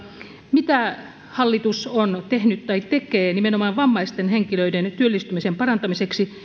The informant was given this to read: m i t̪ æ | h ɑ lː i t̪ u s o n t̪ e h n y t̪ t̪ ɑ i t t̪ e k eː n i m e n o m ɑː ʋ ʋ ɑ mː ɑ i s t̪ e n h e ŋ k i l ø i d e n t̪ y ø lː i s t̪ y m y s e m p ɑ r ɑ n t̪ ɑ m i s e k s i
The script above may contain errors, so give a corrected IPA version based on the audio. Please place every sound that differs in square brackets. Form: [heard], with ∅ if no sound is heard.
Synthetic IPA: m i t̪ æ | h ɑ lː i t̪ u s o n t̪ e h n y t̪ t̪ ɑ i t t̪ e k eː n i m e n o m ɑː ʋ ʋ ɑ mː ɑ i s t̪ e n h e ŋ k i l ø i d e n t̪ y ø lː i s t̪ y m [i] s e m p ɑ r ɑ n t̪ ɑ m i s e k s i